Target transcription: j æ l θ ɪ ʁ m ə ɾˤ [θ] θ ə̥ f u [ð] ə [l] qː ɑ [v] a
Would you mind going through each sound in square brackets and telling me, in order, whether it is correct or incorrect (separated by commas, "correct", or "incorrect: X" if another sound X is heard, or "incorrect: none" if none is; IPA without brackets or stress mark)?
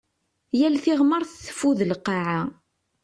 correct, correct, correct, incorrect: ʕ